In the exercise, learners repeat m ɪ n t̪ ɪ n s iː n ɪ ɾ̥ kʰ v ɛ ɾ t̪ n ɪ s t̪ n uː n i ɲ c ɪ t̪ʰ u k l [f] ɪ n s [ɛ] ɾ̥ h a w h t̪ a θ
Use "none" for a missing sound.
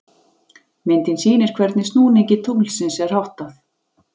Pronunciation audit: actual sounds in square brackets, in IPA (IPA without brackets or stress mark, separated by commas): s, ɛ